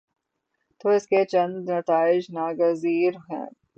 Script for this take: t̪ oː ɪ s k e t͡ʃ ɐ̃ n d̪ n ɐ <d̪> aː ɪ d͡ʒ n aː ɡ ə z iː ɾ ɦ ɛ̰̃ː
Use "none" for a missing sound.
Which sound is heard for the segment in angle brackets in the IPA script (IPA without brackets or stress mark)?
t̪